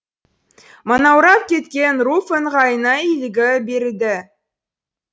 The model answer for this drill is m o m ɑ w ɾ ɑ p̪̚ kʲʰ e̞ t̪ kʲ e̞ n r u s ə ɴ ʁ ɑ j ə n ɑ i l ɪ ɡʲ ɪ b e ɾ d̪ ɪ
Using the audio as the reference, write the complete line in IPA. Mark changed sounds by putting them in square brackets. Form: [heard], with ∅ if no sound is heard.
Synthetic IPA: m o [n] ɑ w ɾ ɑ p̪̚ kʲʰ e̞ t̪ kʲ e̞ n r u [f] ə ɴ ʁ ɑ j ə n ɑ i l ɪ ɡʲ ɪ b e ɾ d̪ ɪ